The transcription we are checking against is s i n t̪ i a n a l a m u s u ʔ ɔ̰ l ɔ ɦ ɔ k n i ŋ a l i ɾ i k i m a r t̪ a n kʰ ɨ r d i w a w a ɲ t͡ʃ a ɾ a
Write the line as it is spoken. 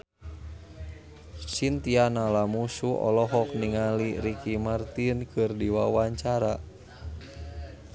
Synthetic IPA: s i n t̪ i a n a l a m u s u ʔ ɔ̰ l ɔ ɦ ɔ k n i ŋ a l i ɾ i k i m a r t̪ i n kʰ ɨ r d i w a w a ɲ t͡ʃ a ɾ a

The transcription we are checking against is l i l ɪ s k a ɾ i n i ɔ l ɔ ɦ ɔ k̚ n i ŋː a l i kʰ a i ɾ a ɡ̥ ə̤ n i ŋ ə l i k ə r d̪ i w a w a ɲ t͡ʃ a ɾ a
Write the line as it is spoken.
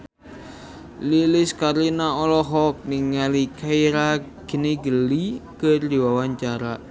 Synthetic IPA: l i l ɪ s k a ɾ i n a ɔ l ɔ ɦ ɔ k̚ n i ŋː a l i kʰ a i ɾ a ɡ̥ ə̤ n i ɡ ə l i k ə r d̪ i w a w a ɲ t͡ʃ a ɾ a

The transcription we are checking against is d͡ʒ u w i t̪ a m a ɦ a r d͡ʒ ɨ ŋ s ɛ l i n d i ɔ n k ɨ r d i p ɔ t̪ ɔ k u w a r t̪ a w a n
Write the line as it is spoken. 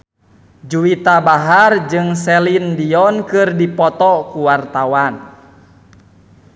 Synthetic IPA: d͡ʒ u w i t̪ a b a ɦ a r d͡ʒ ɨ ŋ s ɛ l i n d i ɔ n k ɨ r d i p ɔ t̪ ɔ k u w a r t̪ a w a n

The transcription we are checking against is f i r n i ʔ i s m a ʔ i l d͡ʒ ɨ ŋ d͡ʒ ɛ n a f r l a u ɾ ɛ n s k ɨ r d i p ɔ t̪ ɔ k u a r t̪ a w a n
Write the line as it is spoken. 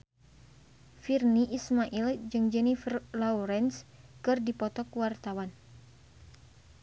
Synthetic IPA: f i r n i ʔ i s m a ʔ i l d͡ʒ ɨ ŋ d͡ʒ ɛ n i f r l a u ɾ ɛ n s k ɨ r d i p ɔ t̪ ɔ k w a r t̪ a w a n

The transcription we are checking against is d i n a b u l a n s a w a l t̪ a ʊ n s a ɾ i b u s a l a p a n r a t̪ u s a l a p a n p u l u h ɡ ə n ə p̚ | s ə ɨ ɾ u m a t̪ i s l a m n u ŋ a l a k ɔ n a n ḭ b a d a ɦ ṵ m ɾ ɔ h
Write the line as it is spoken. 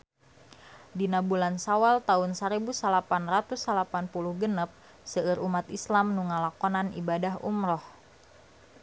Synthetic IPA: d i n a b u l a n s a w a l t̪ a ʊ n s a ɾ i b u s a l a p a n r a t̪ u s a l a p a n p u l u h ɡ ə n ə p̚ | s ə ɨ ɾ u m a t̪ i s l a m n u ŋ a l a k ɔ n a n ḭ b a d a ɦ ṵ m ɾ ɔ h

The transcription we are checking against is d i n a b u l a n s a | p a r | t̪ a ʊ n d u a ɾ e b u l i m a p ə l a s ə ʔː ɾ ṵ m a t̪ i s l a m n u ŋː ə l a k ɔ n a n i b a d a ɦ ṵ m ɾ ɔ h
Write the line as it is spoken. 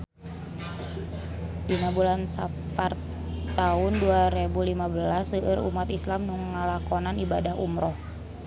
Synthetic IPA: d i n a b u l a n s a | p a r | t̪ a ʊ n d u a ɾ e b u l i m a b ə l a s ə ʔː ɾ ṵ m a t̪ i s l a m n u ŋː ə l a k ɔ n a n i b a d a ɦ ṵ m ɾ ɔ h

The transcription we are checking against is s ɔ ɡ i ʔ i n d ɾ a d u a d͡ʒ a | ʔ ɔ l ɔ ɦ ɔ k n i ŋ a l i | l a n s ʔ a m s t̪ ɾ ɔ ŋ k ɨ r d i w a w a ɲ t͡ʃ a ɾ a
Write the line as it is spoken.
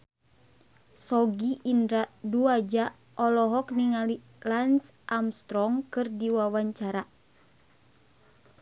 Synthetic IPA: s ɔ ɡ i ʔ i n d ɾ a d u a d͡ʒ a | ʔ ɔ l ɔ ɦ ɔ k n i ŋ a l i | l a n s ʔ a m s t̪ ɾ ɔ ŋ k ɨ r d i w a w a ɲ t͡ʃ a ɾ a

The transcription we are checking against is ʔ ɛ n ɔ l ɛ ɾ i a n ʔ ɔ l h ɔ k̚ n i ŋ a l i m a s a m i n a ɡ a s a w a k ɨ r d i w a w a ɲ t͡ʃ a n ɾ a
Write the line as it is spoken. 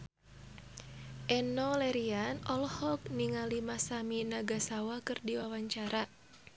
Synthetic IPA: ʔ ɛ n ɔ l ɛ ɾ i a n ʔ ɔ l h ɔ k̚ n i ŋ a l i m a s a m i n a ɡ a s a w a k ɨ r d i w a w a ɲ t͡ʃ a ɾ a

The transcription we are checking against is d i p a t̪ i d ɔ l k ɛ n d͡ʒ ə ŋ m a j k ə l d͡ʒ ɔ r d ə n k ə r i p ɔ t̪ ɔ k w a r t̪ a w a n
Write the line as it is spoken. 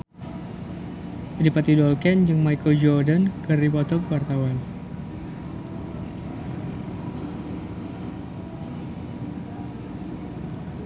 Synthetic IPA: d i p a t̪ i d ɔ l k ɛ n d͡ʒ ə ŋ m a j k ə l d͡ʒ ɔ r d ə n k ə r i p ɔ t̪ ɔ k w a r t̪ a w a n

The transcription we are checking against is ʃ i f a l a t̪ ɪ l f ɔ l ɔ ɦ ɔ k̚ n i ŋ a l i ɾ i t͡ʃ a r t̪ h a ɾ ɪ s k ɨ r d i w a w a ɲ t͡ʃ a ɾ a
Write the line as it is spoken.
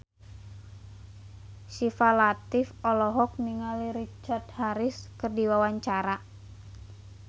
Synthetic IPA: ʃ i f a l a t̪ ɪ f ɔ l ɔ ɦ ɔ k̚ n i ŋ a l i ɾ i t͡ʃ a r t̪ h a ɾ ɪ s k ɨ r d i w a w a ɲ t͡ʃ a ɾ a

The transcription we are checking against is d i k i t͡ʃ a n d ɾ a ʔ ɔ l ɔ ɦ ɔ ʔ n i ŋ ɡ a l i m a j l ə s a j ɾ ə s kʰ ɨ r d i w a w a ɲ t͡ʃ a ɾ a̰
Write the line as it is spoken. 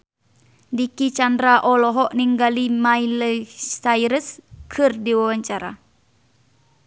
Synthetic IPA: d i k i t͡ʃ a n d ɾ a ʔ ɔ l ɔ ɦ ɔ ʔ n i ŋ ɡ a l i m a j l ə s a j ɾ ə s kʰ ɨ r d i w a w a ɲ t͡ʃ a ɾ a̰

